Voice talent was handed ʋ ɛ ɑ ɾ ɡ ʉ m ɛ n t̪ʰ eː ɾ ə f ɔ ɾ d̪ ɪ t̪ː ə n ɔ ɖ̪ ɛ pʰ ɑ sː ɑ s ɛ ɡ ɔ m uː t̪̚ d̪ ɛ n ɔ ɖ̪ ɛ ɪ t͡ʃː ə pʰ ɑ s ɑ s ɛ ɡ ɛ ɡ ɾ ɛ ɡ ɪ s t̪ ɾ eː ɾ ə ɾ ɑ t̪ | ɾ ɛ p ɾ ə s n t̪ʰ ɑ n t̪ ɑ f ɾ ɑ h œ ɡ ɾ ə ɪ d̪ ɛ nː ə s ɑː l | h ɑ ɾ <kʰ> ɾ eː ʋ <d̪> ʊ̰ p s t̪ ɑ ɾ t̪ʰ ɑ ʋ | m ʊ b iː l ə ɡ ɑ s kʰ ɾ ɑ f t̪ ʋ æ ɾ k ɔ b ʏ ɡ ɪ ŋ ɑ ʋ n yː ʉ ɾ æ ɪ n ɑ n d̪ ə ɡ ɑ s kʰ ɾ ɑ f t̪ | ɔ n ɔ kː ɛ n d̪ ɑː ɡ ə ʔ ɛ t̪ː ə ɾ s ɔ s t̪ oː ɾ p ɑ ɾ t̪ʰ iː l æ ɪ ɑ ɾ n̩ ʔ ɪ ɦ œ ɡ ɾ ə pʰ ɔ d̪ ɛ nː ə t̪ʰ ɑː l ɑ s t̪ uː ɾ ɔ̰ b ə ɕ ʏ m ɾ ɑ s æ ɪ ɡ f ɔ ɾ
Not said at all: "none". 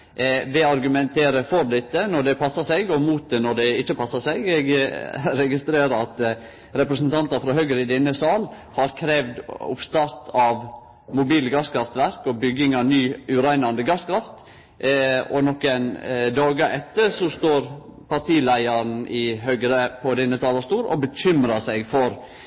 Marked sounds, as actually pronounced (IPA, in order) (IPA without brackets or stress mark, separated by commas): kʰ, d̪